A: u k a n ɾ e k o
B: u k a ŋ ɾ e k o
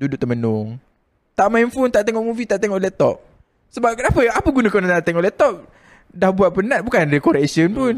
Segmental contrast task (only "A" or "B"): A